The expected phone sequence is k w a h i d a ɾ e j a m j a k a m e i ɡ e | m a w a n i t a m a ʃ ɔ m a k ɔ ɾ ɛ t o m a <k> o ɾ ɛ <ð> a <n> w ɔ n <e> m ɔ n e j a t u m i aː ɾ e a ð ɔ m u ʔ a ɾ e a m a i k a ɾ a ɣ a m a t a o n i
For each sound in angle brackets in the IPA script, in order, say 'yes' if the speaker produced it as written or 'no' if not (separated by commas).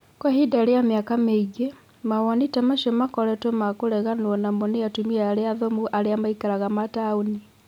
yes, no, yes, no